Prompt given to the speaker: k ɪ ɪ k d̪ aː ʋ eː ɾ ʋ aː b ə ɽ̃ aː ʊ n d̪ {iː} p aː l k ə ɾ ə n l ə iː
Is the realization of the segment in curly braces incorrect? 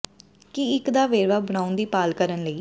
no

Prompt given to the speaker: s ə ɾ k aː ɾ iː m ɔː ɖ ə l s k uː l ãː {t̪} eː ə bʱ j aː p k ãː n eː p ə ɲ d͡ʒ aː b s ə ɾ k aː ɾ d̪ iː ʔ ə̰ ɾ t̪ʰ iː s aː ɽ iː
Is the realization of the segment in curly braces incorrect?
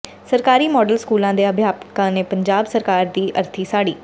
yes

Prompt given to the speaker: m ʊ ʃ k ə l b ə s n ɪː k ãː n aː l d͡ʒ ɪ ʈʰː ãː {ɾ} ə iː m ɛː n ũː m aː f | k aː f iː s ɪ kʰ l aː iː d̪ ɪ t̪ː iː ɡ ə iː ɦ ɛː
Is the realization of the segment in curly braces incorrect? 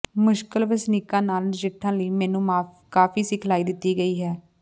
yes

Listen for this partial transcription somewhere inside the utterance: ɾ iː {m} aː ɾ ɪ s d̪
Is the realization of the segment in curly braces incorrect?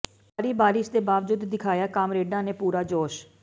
yes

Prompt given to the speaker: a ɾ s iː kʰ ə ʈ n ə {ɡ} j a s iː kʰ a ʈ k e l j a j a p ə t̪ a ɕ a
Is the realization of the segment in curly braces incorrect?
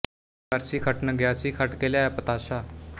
no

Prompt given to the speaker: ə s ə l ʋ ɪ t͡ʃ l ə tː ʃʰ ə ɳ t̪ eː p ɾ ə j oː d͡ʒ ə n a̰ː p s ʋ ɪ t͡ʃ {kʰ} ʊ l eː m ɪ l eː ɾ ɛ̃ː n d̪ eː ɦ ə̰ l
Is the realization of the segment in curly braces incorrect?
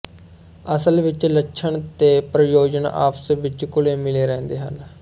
yes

